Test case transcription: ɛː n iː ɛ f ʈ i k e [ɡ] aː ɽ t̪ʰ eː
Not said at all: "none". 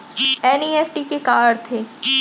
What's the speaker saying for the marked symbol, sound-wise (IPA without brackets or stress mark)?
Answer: k